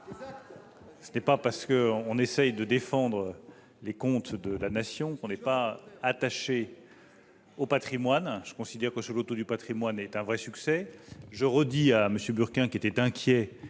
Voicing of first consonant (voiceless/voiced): voiceless